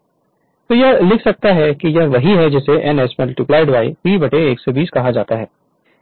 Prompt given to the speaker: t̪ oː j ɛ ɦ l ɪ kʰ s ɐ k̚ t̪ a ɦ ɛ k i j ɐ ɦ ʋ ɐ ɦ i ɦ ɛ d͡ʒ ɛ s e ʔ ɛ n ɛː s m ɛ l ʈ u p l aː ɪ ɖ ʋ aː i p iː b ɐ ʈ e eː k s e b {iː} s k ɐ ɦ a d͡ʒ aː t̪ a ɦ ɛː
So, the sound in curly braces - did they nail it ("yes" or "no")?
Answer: yes